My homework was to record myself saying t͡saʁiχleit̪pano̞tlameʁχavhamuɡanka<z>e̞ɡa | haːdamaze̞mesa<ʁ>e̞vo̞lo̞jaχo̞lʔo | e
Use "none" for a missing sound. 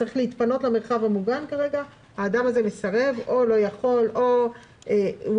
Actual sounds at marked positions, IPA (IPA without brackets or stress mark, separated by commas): ʁ, ʁ